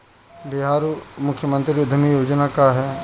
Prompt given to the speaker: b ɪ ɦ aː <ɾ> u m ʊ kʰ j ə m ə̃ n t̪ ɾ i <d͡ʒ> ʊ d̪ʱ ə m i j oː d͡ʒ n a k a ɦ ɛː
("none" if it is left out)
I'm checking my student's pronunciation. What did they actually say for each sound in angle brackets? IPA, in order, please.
ɾ, none

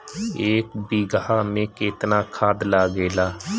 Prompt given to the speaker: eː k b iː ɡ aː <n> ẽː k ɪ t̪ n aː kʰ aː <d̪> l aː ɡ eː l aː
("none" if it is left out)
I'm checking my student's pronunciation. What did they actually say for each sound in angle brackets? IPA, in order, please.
m, d̪

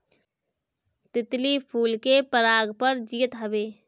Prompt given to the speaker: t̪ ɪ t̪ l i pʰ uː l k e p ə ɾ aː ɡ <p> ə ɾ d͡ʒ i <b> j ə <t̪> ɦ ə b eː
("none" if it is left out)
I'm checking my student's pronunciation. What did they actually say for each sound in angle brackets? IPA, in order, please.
p, none, t̪

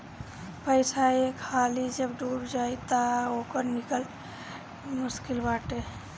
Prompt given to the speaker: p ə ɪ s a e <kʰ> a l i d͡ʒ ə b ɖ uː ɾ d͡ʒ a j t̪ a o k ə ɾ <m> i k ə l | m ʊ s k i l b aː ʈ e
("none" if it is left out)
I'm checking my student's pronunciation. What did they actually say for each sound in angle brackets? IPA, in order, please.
kʰ, n

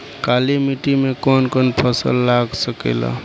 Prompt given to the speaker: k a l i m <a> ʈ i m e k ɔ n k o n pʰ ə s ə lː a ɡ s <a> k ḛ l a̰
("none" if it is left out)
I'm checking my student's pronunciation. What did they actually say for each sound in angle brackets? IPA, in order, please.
i, ə

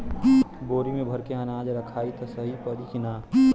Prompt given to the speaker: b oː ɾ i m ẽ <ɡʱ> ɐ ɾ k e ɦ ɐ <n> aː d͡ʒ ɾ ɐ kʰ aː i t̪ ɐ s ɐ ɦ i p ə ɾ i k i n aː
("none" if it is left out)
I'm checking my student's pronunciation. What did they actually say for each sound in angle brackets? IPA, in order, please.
bʱ, n

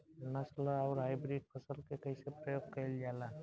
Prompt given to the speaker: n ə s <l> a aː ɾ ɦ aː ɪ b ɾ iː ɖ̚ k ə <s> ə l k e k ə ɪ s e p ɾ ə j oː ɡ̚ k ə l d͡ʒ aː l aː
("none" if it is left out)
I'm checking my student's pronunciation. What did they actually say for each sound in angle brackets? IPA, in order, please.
l, s

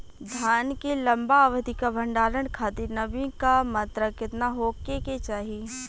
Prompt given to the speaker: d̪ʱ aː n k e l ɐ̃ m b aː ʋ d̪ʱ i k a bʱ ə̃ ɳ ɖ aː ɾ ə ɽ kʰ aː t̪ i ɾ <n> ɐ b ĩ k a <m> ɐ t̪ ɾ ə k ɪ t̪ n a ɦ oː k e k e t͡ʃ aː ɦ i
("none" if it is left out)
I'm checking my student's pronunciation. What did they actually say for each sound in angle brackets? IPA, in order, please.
n, m

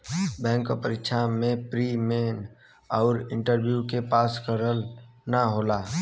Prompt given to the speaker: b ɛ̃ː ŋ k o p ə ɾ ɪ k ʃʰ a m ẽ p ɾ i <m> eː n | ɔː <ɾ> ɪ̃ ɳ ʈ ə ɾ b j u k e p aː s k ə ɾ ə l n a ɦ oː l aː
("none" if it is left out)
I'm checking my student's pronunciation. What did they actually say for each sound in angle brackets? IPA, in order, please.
m, ɾ

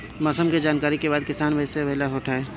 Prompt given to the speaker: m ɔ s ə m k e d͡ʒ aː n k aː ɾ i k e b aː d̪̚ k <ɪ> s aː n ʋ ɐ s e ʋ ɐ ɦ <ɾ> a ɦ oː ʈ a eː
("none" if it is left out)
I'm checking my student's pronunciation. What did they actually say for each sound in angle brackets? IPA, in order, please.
ɪ, l

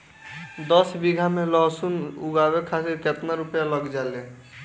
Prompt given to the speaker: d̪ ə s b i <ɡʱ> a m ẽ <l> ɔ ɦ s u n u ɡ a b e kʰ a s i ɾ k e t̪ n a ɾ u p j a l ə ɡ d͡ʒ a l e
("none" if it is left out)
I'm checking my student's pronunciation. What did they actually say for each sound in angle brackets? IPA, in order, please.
ɡʱ, l

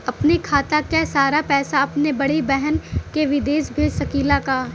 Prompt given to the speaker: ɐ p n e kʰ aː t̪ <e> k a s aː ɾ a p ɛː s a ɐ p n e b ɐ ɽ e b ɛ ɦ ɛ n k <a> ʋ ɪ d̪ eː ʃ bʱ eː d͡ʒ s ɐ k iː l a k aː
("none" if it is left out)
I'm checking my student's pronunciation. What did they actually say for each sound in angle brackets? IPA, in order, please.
a, e

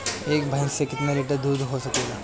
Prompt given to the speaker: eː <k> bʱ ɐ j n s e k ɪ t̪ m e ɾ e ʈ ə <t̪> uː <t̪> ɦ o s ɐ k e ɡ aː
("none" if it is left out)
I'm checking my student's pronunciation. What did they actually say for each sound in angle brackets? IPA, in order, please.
k, d̪, d̪

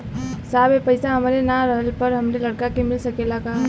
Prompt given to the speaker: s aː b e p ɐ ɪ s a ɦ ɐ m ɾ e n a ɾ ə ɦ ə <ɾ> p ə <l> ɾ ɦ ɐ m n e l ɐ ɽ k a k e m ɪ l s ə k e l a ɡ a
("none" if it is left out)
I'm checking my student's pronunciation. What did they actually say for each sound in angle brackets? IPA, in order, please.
l, none

